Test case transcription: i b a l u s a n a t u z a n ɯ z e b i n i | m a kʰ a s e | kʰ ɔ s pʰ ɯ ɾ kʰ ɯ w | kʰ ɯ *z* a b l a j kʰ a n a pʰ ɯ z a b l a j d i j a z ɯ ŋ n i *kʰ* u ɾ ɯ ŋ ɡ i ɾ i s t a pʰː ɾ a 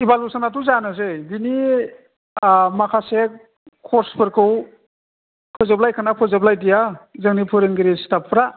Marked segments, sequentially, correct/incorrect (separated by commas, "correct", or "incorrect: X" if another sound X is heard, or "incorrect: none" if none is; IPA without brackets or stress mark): correct, incorrect: pʰ